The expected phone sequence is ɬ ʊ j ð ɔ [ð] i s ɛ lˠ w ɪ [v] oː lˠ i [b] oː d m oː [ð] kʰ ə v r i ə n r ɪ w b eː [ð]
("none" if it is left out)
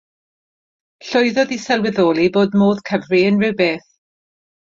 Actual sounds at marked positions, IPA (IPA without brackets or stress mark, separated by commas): ð, ð, b, ð, θ